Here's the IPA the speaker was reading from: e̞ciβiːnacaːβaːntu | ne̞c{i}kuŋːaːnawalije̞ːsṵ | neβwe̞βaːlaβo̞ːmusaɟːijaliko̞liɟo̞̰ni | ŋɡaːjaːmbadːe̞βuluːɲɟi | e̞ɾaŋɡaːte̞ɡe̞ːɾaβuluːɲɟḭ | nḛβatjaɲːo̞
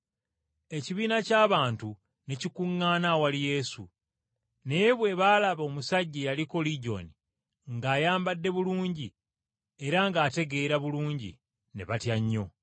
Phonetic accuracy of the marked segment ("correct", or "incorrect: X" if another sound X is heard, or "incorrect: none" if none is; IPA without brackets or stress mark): correct